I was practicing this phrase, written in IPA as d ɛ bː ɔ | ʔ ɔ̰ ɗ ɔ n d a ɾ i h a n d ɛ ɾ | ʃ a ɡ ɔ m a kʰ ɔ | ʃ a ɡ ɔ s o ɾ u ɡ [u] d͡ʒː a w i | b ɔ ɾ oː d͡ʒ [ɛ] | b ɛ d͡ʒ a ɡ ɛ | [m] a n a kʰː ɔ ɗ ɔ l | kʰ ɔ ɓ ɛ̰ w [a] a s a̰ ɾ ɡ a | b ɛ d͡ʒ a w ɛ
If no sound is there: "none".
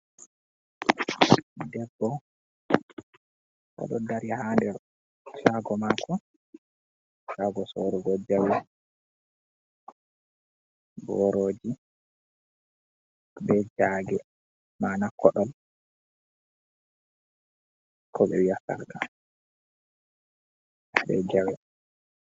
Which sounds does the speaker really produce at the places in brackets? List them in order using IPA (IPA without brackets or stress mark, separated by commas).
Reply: ɔ, i, m, i